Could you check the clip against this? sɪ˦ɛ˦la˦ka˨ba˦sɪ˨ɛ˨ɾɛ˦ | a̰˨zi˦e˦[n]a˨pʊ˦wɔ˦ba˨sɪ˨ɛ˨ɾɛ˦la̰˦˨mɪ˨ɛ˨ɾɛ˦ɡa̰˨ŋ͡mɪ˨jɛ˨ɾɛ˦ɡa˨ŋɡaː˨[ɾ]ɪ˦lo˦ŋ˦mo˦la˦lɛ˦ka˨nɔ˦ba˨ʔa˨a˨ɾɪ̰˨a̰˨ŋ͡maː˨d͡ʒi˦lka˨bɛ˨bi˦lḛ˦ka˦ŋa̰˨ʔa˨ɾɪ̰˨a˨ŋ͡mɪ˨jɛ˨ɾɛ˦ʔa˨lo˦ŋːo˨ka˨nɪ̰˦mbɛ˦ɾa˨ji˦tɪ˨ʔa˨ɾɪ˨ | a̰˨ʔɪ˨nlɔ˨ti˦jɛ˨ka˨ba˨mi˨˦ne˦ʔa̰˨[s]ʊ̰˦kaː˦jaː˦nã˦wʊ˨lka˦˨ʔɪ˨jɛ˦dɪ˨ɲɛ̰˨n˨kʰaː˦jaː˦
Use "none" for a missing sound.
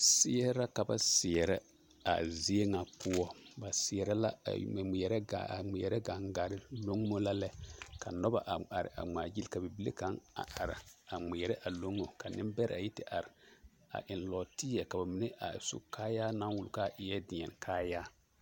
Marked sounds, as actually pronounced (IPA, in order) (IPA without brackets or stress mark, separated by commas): ŋ, ɾ, s